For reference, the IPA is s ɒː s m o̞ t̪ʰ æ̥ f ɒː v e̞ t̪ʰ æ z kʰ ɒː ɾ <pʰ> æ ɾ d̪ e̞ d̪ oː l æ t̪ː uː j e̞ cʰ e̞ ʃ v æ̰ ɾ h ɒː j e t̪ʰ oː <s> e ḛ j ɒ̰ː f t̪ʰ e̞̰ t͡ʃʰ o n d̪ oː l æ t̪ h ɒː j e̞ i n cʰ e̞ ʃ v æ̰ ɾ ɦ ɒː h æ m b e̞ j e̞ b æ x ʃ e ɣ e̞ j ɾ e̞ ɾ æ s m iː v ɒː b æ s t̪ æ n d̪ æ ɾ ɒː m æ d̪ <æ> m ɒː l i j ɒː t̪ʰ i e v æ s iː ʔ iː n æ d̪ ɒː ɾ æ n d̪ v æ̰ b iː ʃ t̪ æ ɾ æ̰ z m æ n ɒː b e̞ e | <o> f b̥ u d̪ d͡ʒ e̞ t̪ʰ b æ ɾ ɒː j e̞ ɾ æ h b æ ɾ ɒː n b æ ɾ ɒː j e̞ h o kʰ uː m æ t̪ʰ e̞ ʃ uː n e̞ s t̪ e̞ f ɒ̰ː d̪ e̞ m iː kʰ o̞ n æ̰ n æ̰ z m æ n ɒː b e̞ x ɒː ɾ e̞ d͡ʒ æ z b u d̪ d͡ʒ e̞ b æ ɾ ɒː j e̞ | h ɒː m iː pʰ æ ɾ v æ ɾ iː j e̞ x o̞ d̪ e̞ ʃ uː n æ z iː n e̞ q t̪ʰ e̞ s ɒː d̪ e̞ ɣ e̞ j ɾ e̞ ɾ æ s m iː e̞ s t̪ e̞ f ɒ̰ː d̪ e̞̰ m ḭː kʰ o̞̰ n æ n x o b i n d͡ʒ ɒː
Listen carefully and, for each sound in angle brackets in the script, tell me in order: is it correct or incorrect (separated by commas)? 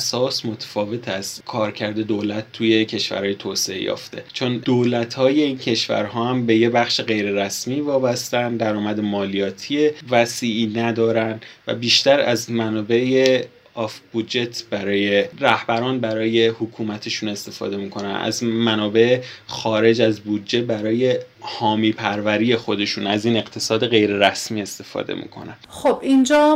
incorrect, correct, incorrect, incorrect